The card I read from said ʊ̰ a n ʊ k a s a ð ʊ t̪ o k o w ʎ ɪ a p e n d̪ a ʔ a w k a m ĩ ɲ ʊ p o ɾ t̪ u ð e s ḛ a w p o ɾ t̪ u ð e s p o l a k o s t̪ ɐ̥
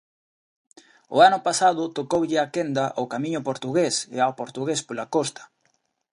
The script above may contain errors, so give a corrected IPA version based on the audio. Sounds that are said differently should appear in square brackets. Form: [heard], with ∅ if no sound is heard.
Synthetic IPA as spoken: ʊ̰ a n ʊ [p] a s a ð ʊ t̪ o k o w ʎ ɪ a [k] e n d̪ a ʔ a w k a m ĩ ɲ ʊ p o ɾ t̪ u [ɣ] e s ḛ a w p o ɾ t̪ u [ɣ] e s p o l a k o s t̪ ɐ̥